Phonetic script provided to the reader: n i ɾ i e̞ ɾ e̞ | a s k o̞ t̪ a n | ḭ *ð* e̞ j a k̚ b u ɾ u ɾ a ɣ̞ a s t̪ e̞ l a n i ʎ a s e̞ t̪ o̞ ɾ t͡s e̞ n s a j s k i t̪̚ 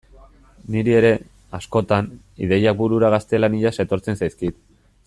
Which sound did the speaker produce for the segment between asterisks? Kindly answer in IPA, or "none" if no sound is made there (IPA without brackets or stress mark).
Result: ð